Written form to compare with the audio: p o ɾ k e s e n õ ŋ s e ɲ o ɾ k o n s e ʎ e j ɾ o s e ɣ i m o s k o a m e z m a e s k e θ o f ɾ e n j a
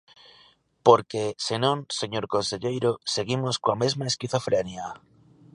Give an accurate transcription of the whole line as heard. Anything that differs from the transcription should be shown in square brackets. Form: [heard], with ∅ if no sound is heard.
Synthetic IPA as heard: p o ɾ k e s e n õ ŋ s e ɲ o ɾ k o n s e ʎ e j ɾ o s e ɣ i m o s k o a m e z m a e s k [i] θ o f ɾ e n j a